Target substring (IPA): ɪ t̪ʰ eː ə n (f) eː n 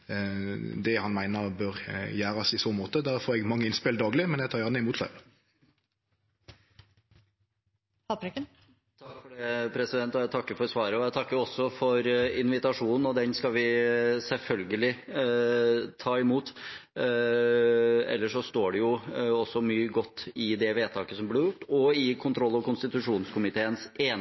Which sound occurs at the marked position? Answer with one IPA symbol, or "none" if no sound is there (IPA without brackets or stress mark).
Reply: s